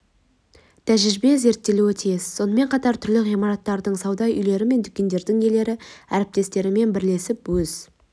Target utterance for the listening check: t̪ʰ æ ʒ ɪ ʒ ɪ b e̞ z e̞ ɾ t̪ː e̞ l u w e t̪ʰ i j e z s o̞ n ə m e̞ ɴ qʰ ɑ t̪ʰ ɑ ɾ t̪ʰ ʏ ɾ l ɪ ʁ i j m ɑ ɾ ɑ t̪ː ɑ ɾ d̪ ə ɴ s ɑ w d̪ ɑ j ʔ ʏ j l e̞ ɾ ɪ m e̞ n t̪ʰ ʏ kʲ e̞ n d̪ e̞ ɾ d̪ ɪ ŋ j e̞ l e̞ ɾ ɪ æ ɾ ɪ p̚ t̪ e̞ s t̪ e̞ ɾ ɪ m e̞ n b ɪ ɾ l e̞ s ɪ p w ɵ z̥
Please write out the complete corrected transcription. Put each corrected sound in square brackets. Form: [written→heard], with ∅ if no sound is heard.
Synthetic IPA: t̪ʰ æ ʒ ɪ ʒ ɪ b e̞ z e̞ ɾ t̪ː e̞ l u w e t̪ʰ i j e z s o̞ n ə m e̞ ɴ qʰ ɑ [t̪ʰ→t̪] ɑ ɾ t̪ʰ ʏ ɾ l ɪ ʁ i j m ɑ ɾ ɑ t̪ː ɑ ɾ d̪ ə ɴ s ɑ w d̪ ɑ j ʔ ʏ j l e̞ ɾ ɪ m e̞ n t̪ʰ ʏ kʲ e̞ n d̪ e̞ ɾ d̪ ɪ ŋ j e̞ l e̞ ɾ ɪ æ ɾ ɪ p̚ t̪ e̞ s t̪ e̞ ɾ ɪ m e̞ n b ɪ ɾ l e̞ s ɪ p w ɵ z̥